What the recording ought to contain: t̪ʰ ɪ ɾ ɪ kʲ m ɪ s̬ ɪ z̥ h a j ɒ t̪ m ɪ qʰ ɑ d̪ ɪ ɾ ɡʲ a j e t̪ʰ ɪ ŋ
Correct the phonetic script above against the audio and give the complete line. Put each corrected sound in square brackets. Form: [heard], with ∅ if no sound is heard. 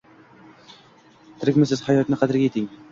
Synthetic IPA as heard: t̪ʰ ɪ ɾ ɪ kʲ m ɪ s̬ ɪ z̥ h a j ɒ t̪ [n] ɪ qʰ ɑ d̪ ɪ ɾ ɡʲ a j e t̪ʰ ɪ ŋ